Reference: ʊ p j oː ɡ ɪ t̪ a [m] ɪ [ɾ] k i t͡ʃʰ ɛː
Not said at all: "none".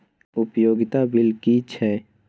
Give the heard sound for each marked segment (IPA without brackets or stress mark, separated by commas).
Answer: b, l